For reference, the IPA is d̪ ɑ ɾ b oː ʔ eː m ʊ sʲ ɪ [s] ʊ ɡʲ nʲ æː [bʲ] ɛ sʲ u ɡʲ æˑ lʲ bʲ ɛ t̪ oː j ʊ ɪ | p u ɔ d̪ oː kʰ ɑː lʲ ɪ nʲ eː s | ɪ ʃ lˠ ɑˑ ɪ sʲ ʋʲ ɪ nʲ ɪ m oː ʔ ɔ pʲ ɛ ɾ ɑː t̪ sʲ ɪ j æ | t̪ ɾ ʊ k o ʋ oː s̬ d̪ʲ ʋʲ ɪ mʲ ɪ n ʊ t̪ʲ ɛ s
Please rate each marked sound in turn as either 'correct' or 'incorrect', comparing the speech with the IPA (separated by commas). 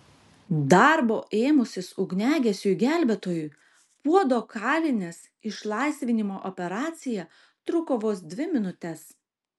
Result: correct, incorrect